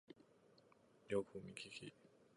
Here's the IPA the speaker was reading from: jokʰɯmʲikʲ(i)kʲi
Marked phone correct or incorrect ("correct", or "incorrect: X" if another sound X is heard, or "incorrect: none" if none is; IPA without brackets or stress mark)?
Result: correct